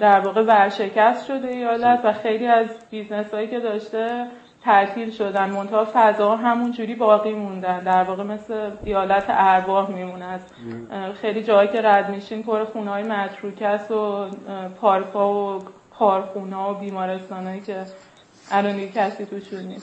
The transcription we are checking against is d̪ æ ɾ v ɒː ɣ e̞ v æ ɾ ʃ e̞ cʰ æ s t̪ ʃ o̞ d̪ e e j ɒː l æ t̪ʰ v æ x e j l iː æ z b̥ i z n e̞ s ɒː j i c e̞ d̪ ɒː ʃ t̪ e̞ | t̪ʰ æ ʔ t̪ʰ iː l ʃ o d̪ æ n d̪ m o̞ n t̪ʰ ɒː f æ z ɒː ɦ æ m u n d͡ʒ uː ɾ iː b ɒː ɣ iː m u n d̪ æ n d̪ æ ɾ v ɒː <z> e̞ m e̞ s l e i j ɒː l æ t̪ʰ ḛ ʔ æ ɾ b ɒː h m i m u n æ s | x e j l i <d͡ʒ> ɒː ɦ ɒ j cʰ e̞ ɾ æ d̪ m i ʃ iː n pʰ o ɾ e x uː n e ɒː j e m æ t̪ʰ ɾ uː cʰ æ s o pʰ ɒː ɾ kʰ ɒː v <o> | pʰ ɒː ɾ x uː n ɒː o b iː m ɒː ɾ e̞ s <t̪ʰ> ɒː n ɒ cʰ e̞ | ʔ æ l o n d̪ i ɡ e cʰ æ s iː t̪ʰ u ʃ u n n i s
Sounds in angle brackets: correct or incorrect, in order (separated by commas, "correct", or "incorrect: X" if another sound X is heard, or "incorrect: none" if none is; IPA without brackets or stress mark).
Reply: incorrect: ɣ, correct, correct, incorrect: t̪